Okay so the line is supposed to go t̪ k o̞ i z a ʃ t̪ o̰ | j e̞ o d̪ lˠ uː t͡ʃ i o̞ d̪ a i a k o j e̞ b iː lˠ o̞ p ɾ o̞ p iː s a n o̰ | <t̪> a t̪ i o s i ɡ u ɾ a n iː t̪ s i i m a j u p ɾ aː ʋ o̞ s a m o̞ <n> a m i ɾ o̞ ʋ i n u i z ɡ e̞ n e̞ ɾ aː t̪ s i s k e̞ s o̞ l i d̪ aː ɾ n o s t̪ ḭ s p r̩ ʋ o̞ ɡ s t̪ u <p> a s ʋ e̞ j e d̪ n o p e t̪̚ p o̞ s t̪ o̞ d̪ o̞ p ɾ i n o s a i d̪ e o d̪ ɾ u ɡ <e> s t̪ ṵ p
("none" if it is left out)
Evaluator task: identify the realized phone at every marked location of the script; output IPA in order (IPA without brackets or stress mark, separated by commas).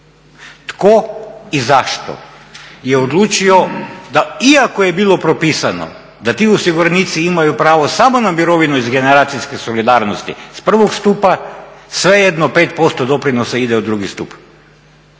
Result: d̪, n, p, i